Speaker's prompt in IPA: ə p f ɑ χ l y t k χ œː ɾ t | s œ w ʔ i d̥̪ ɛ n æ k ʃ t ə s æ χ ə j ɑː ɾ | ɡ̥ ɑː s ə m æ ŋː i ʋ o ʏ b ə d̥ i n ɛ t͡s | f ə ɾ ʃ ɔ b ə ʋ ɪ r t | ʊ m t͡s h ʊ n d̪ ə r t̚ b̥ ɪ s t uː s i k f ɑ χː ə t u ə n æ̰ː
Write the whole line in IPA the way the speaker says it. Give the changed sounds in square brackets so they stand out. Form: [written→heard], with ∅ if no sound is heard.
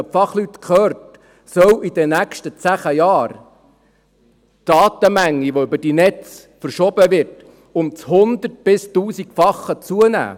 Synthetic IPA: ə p f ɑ χ l y t k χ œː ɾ t | s œ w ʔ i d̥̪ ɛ n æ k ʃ t ə [s→t͡s] æ χ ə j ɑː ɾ | [ɡ̥→d̥] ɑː [s→t] ə m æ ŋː i ʋ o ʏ b ə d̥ i n ɛ t͡s | f ə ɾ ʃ ɔ b ə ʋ ɪ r t | ʊ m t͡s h ʊ n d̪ ə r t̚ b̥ ɪ s t uː s i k f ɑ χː ə [t→t͡s] u ə n æ̰ː

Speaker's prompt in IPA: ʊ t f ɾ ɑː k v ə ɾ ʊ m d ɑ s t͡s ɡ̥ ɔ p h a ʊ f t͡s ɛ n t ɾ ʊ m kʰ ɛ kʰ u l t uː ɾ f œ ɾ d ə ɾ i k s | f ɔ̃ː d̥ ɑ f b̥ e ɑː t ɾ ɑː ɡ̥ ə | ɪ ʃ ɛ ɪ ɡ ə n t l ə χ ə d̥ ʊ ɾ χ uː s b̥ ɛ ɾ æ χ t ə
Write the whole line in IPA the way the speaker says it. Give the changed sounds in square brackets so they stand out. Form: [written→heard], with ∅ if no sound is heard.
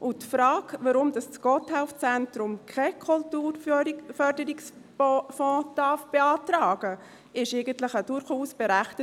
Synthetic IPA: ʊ t f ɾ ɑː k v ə ɾ ʊ m d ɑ s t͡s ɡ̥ ɔ [p→t] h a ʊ f t͡s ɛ n t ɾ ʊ m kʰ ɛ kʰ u l t uː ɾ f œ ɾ d ə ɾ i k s | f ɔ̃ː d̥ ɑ f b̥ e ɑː t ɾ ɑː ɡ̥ ə | ɪ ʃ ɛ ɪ ɡ ə n t l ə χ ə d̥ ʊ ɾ χ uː s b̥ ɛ ɾ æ χ t ə

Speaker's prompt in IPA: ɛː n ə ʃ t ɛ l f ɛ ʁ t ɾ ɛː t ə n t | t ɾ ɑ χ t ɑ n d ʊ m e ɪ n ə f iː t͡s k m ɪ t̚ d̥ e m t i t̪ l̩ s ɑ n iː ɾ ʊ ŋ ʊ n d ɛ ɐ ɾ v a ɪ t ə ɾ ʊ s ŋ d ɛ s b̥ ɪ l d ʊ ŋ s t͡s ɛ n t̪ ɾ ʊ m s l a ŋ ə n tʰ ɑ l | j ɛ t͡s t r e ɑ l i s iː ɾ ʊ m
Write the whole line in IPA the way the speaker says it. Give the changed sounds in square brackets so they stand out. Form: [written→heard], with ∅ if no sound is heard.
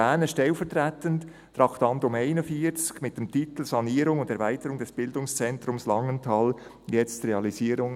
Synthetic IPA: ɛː n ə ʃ t ɛ l f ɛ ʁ t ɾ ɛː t ə n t | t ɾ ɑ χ t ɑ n d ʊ m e ɪ n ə f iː t͡s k m ɪ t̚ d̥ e m t i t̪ l̩ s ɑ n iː ɾ ʊ ŋ ʊ n d ɛ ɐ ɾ v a ɪ t ə ɾ ʊ [s→∅] ŋ d ɛ s b̥ ɪ l d ʊ ŋ s t͡s ɛ n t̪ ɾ ʊ m s l [a→ɑ] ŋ ə n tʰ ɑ l | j ɛ t͡s t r e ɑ l i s iː ɾ ʊ [m→ŋ]

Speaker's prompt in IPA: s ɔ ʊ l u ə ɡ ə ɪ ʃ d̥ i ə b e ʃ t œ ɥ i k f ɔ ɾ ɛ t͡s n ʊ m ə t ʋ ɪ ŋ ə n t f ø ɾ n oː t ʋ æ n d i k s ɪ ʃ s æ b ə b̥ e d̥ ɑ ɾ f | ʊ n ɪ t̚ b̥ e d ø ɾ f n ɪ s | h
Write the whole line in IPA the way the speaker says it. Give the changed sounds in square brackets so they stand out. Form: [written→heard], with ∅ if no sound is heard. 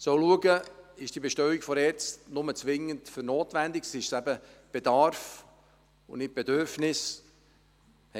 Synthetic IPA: s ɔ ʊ l u ə ɡ ə ɪ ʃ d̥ i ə b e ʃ t œ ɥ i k f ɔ ɾ ɛ t͡s n ʊ m ə [t→t͡s] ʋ ɪ ŋ ə n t f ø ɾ n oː t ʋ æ n d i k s ɪ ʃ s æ b ə b̥ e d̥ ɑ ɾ f | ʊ n ɪ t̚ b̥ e d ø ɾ f n ɪ s | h

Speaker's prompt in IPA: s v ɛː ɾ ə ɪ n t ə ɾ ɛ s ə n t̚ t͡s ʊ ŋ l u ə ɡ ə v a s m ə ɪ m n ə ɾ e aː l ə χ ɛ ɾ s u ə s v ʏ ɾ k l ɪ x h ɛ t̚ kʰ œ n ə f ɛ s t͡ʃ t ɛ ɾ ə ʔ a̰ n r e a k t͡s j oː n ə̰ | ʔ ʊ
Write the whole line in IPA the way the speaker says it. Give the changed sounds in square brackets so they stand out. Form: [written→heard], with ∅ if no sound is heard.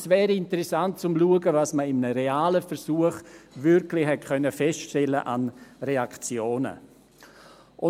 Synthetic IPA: s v ɛː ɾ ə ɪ n t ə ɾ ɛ s [ə→a] n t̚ t͡s ʊ [ŋ→m] l u ə ɡ ə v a s m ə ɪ m n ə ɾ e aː l ə [χ→f] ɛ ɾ s u ə [s→χ] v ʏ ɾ k l ɪ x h ɛ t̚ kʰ œ n ə f ɛ s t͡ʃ t ɛ [ɾ→l] ə ʔ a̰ n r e a k t͡s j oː n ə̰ | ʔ ʊ

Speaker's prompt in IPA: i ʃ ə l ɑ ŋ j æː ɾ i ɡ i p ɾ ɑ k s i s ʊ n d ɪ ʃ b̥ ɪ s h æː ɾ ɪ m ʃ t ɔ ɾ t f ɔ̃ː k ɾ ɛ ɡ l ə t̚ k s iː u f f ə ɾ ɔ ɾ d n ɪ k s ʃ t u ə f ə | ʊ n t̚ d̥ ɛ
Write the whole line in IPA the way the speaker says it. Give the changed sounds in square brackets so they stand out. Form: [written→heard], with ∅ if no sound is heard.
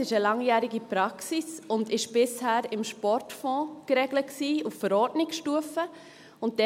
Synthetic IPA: [i→ɪ] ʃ ə l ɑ ŋ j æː ɾ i ɡ i p ɾ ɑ k s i s ʊ n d ɪ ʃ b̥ ɪ s h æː ɾ ɪ m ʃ [t→p] ɔ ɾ t f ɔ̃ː k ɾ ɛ ɡ l ə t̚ k s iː u f f ə ɾ ɔ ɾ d n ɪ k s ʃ t u ə f ə | ʊ n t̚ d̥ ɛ

